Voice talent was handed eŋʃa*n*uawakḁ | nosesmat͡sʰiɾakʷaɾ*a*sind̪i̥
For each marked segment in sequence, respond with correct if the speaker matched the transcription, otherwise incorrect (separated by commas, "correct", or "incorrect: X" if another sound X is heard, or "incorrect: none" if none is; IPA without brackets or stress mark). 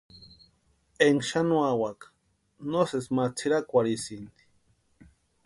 correct, incorrect: i